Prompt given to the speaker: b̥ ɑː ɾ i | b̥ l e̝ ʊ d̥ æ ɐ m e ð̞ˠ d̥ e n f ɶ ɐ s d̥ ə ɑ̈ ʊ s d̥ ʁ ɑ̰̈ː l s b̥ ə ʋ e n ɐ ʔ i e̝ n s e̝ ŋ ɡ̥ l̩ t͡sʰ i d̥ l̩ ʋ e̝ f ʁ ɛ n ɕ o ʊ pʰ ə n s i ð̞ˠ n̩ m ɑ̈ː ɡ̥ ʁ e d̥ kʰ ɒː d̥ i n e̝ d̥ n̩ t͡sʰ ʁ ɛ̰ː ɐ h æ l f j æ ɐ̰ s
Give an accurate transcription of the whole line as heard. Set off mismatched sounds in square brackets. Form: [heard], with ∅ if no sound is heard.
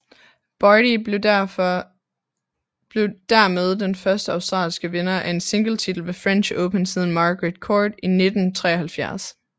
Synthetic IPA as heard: b̥ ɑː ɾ i | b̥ l e̝ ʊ d̥ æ ɐ m e ð̞ˠ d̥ e n f ɶ ɐ s d̥ ə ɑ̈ ʊ s d̥ ʁ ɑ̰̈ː l s [ɡ̥] ə ʋ e n ɐ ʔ [æ] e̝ n s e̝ ŋ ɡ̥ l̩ t͡sʰ i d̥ l̩ ʋ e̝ f ʁ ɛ n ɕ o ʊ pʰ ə n s i ð̞ˠ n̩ m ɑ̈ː ɡ̥ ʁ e d̥ kʰ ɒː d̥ i n e̝ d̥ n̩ t͡sʰ ʁ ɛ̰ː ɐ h æ l f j æ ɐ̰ s